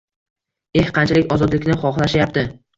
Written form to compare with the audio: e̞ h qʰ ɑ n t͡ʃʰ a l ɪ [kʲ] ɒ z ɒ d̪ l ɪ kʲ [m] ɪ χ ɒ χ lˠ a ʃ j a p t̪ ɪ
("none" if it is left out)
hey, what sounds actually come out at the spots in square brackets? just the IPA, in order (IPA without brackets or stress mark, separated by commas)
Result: kʲ, n